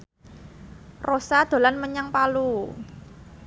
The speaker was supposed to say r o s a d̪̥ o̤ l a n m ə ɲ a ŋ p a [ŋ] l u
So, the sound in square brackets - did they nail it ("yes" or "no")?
no